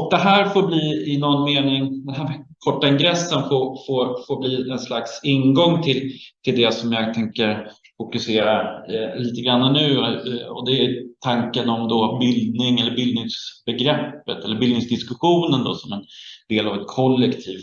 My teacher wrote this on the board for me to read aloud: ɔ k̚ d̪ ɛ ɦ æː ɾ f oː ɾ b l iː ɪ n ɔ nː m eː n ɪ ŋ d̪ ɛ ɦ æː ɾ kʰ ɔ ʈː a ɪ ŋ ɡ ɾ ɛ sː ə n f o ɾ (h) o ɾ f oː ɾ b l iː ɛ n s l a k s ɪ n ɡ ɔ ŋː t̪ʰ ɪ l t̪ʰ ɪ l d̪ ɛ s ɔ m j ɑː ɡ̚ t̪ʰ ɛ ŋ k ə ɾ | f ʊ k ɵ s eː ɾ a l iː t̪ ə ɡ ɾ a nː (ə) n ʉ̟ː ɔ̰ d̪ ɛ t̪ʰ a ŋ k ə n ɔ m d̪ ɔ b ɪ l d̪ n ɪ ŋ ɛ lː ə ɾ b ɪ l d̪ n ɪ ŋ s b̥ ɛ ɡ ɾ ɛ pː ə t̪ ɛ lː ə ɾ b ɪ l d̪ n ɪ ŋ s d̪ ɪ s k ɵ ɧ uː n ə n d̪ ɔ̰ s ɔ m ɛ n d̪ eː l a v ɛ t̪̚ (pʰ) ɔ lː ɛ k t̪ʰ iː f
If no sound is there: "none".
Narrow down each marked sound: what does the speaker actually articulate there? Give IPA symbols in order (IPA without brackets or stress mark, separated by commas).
f, a, kʰ